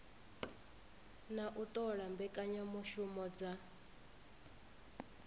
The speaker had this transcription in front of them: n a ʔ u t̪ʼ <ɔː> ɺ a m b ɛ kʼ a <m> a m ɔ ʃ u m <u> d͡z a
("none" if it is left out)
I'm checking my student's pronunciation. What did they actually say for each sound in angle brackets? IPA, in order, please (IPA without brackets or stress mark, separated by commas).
ɔ, ɲ, ɔ